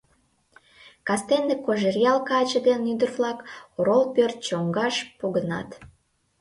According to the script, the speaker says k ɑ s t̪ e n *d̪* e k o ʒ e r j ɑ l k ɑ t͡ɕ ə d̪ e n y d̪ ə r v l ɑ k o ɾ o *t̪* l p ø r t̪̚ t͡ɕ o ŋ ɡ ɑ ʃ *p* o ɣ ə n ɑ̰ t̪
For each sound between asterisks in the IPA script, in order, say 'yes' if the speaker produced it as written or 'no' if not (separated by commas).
yes, no, yes